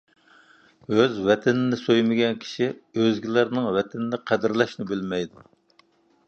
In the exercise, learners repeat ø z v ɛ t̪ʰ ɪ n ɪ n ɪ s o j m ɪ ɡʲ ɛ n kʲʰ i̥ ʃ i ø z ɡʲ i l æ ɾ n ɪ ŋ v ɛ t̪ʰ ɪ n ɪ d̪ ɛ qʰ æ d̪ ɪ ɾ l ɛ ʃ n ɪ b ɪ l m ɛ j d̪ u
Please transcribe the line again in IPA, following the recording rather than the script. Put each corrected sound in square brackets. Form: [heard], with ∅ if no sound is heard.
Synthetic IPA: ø z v ɛ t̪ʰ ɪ n ɪ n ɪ s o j m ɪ ɡʲ ɛ n kʲʰ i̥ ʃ i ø z ɡʲ i l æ ɾ n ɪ ŋ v ɛ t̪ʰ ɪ n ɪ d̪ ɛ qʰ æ d̪ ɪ ɾ l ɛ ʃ n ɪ b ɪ l m ɛ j d̪ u